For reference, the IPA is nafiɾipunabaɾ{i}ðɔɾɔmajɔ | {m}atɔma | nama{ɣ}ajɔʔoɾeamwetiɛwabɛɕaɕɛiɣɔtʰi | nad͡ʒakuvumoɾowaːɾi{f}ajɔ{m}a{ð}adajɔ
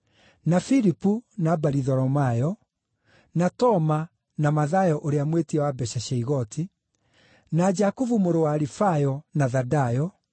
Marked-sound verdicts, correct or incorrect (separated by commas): correct, incorrect, incorrect, correct, incorrect, correct